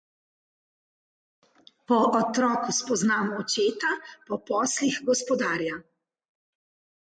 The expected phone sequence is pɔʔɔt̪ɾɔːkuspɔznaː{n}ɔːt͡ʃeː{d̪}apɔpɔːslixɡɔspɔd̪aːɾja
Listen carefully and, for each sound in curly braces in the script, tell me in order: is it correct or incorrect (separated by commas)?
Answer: incorrect, incorrect